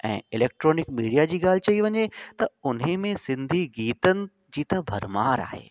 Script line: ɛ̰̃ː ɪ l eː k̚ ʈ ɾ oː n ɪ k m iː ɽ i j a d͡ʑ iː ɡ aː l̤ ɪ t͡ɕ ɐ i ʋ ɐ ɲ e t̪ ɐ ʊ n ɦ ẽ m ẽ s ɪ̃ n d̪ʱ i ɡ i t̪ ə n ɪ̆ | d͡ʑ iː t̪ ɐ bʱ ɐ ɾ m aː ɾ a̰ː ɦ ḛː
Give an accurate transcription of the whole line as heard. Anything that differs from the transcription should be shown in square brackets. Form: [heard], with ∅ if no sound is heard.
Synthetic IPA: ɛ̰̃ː ɪ l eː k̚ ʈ ɾ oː n ɪ k m iː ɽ i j a d͡ʑ iː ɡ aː l̤ ɪ t͡ɕ ɐ i ʋ ɐ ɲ e t̪ ɐ ʊ n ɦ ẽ m ẽ s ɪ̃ n d̪ʱ i ɡ [iː] t̪ ə n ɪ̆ | d͡ʑ iː t̪ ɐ bʱ ɐ ɾ m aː ɾ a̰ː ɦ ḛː